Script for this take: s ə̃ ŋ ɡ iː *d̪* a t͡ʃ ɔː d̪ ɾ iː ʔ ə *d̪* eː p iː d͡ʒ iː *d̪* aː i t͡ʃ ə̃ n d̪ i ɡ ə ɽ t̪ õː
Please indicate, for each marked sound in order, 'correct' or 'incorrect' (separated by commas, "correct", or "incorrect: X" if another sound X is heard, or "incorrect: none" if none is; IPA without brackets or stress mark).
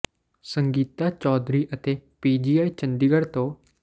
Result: incorrect: t̪, incorrect: t̪, incorrect: none